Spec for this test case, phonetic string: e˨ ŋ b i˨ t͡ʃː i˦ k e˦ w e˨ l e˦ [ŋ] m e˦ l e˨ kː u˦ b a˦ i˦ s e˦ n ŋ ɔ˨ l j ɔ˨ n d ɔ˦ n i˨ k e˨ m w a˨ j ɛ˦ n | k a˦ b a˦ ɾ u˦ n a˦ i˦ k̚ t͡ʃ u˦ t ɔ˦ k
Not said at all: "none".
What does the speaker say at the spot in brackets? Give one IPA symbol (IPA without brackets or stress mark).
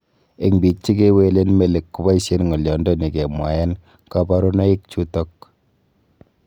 n